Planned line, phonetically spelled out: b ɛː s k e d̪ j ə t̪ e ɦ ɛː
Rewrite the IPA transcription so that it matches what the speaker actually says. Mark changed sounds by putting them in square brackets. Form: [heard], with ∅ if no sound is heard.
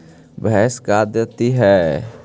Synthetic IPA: b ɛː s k [a] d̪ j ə t̪ [i] ɦ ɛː

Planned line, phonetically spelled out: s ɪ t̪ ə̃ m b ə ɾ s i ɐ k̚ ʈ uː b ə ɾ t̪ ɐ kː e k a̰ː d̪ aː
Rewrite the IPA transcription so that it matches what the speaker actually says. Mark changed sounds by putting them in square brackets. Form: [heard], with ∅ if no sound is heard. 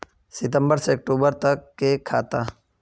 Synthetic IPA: s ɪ t̪ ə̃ m b ə ɾ s [e] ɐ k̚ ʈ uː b ə ɾ t̪ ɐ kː e [kʰ] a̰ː [t̪] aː

